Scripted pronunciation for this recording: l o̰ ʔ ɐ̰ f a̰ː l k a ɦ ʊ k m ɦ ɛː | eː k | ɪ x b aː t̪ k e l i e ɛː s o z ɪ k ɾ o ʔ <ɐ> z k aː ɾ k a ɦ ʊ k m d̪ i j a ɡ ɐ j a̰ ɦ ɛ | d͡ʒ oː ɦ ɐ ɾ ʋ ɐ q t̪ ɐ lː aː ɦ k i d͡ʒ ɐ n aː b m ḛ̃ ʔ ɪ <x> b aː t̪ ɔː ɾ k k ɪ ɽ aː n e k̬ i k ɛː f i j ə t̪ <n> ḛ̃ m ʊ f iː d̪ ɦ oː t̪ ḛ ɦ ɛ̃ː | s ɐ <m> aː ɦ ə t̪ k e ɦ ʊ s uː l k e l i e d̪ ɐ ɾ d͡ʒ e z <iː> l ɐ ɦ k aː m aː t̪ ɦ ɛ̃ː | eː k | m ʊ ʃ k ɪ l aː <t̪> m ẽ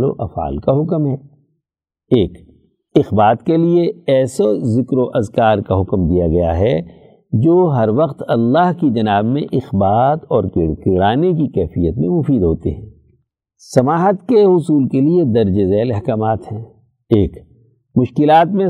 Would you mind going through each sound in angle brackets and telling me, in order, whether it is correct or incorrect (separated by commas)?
correct, correct, incorrect, correct, incorrect, correct